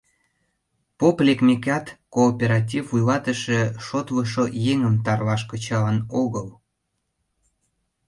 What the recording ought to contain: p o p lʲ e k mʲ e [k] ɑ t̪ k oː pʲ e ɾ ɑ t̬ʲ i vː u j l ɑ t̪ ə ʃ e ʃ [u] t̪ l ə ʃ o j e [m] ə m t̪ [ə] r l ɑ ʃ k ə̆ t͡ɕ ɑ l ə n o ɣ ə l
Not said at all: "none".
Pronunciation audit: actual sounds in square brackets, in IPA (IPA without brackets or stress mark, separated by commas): k, o, ŋ, ɑ